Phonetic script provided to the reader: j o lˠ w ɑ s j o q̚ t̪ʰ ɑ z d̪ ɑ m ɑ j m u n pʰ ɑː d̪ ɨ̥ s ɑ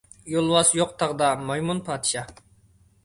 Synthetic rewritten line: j o lˠ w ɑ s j o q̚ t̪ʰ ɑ ʁ d̪ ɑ m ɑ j m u n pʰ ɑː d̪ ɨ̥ ʃ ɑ